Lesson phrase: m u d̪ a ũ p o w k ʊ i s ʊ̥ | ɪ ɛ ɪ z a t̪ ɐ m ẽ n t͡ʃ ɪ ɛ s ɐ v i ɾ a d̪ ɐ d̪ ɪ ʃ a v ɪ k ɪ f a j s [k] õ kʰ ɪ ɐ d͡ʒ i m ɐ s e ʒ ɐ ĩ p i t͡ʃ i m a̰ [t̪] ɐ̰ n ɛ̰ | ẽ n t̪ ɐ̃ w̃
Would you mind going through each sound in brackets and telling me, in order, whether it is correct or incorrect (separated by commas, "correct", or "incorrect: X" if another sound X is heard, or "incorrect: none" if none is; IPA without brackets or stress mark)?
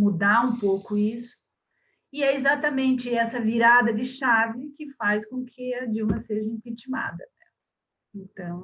correct, incorrect: d̪